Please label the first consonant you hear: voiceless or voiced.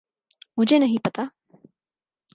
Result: voiced